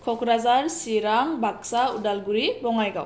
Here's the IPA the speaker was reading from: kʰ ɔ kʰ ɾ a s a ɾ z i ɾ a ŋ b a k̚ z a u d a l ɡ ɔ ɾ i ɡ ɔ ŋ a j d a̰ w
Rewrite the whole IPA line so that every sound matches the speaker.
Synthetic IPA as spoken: kʰ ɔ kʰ ɾ a z a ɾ s i ɾ a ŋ b a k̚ s a u d a l ɡ u ɾ i b ɔ ŋ a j ɡ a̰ w